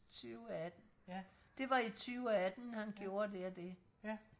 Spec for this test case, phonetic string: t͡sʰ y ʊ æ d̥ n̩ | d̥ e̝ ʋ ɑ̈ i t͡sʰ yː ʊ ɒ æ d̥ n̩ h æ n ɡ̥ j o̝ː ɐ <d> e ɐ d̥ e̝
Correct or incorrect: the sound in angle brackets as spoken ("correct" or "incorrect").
correct